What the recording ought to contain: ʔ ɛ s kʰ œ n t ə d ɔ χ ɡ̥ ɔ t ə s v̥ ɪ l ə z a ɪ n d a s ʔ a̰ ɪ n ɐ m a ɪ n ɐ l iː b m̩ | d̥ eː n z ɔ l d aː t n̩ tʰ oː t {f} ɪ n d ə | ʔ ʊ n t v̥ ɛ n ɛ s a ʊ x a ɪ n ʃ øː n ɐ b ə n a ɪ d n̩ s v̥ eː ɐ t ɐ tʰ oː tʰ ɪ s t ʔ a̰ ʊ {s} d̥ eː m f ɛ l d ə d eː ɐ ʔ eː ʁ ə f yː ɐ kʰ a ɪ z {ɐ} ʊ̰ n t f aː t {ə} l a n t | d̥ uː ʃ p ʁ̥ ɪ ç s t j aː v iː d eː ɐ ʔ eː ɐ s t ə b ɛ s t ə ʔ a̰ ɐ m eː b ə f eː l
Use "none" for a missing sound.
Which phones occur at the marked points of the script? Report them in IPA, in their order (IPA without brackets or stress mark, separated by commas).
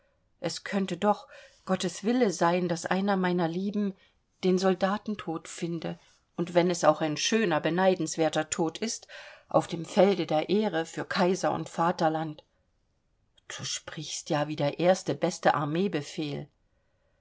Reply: f, f, ɐ, ɐ